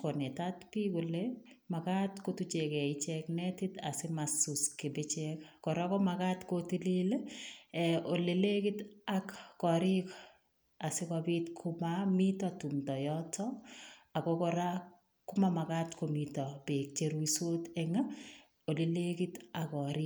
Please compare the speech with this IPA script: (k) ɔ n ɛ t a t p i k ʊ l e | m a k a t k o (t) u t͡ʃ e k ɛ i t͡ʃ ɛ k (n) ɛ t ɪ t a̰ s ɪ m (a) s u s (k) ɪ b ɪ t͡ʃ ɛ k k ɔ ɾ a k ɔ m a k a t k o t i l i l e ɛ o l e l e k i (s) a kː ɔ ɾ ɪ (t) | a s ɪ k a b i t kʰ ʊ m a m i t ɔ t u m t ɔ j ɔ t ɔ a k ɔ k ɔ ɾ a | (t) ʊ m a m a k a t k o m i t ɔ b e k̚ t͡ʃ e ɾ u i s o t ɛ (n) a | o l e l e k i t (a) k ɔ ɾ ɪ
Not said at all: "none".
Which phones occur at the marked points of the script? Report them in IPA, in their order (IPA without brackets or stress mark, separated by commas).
k, t, n, a, k, t, k, k, ŋ, a